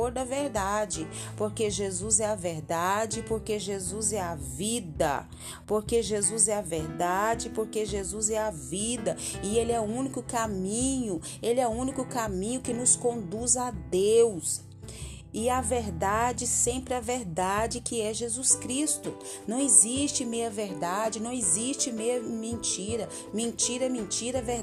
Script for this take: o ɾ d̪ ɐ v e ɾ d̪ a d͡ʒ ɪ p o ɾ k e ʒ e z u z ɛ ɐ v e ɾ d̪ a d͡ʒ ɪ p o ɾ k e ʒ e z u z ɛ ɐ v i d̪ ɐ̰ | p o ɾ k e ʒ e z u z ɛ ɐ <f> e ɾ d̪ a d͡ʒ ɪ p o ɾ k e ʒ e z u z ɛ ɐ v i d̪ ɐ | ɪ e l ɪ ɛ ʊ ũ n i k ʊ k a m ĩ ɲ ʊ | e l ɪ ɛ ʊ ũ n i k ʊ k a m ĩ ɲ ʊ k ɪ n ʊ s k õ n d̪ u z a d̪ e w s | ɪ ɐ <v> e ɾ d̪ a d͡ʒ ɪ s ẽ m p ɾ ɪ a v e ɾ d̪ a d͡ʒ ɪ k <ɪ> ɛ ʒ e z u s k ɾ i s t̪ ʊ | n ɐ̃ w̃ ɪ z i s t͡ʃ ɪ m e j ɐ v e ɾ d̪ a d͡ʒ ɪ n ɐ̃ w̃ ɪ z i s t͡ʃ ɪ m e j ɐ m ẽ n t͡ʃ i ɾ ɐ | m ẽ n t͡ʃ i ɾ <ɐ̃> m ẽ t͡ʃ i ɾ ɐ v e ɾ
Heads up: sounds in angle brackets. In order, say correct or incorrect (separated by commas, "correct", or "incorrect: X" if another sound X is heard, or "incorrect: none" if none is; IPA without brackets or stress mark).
incorrect: v, correct, correct, incorrect: ɐ